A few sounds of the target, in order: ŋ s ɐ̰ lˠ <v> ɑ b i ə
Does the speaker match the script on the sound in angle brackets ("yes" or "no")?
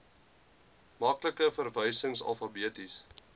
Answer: no